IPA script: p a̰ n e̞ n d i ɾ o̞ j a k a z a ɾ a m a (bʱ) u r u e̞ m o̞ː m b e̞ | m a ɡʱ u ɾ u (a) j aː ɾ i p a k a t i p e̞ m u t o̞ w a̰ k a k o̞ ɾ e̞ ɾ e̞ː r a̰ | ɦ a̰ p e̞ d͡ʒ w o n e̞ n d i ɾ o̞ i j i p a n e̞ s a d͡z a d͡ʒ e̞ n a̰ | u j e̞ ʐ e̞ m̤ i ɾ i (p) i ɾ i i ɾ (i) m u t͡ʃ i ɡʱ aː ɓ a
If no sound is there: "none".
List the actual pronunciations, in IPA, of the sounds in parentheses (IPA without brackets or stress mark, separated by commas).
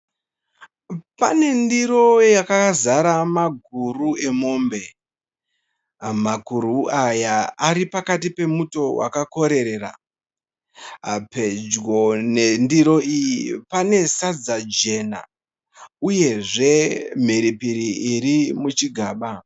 ɡʱ, a, p, i